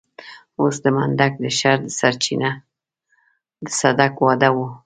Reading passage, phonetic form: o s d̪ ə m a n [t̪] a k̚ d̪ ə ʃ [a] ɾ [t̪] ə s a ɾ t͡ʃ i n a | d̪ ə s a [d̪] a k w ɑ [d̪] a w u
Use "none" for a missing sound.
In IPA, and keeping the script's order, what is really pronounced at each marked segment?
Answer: d̪, a, d̪, d̪, d̪

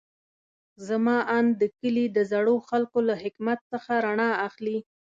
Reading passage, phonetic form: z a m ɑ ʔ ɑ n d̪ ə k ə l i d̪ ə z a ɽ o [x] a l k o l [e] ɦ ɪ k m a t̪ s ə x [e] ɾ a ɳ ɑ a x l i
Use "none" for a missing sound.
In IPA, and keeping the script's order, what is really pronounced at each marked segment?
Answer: x, a, a

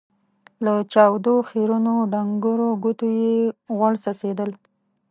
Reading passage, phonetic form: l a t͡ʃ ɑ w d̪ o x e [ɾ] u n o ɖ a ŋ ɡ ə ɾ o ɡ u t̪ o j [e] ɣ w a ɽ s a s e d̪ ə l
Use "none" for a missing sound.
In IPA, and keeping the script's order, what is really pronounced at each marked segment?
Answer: ɾ, e

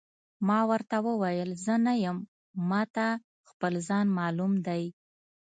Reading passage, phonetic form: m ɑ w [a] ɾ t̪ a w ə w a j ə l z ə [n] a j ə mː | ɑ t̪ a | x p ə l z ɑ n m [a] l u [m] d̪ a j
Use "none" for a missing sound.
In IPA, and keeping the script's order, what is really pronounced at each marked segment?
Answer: ə, n, ɑ, m

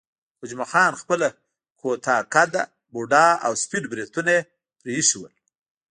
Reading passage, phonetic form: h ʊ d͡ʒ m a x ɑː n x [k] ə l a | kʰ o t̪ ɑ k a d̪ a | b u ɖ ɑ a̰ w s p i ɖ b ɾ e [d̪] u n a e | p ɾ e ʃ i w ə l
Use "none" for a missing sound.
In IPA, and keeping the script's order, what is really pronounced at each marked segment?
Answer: p, t̪

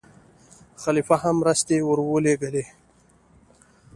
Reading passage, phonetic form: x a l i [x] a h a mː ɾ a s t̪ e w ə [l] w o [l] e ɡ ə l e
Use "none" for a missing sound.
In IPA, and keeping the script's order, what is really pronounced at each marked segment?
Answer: f, ɾ, l

